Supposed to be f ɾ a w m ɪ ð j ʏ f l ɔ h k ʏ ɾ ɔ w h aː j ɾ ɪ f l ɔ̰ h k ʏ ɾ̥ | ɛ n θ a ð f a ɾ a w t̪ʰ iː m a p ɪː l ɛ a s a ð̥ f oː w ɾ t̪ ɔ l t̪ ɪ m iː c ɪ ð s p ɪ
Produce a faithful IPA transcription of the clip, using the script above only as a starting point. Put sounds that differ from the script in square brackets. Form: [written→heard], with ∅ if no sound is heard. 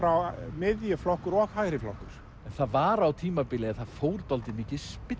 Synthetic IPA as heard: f ɾ a w m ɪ ð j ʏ f l ɔ h k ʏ ɾ ɔ [w→ɣ] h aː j ɾ ɪ f l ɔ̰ h k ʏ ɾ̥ | ɛ n θ a ð [f→v] a ɾ a w t̪ʰ iː m a p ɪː l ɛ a [s→θ] a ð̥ f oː w ɾ t̪ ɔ l t̪ ɪ m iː c ɪ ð s p ɪ